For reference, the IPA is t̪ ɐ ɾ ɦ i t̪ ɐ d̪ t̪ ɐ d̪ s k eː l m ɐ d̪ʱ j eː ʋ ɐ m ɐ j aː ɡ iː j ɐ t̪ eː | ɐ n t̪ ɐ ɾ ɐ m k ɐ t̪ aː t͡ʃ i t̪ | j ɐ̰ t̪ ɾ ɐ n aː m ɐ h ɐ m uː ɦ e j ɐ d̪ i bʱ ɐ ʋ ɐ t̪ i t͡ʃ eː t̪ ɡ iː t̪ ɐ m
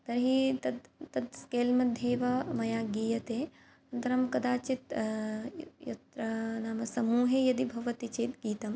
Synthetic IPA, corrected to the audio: t̪ ɐ ɾ ɦ i t̪ ɐ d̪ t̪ ɐ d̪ s k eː l m ɐ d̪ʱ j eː ʋ ɐ m ɐ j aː ɡ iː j ɐ t̪ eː | ɐ n t̪ ɐ ɾ ɐ m k ɐ d̪ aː t͡ʃ i t̪ | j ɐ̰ t̪ ɾ ɐ n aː m ɐ s ɐ m uː ɦ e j ɐ d̪ i bʱ ɐ ʋ ɐ t̪ i t͡ʃ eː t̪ ɡ iː t̪ ɐ m